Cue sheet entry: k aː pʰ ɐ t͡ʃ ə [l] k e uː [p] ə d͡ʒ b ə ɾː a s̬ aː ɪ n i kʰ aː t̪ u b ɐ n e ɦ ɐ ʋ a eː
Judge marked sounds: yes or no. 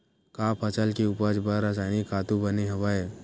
yes, yes

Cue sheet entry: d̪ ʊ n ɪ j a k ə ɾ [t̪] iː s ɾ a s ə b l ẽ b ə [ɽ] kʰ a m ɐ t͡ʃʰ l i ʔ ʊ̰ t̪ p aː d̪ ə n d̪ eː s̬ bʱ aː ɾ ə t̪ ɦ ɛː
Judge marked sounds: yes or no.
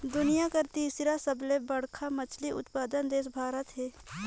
yes, yes

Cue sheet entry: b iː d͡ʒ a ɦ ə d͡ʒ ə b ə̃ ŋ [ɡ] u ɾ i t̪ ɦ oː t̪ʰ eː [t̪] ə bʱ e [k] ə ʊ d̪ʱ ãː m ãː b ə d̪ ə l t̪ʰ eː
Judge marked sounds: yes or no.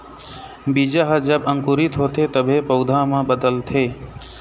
no, yes, no

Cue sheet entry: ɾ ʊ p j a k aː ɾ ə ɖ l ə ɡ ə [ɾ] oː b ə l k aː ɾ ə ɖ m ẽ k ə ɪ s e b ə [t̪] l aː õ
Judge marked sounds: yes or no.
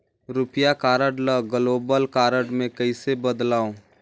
no, no

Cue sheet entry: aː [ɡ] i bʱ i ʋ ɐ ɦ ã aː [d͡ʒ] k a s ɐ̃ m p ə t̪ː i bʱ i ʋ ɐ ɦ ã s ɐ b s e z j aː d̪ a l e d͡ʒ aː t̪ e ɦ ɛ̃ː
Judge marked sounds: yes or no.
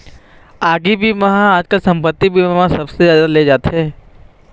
yes, yes

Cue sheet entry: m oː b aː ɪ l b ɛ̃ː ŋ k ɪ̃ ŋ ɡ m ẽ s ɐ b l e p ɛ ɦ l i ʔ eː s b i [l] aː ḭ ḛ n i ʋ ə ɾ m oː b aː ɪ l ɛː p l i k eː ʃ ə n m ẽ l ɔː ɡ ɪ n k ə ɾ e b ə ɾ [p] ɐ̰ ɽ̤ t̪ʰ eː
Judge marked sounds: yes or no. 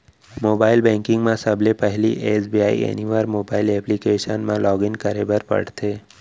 no, yes

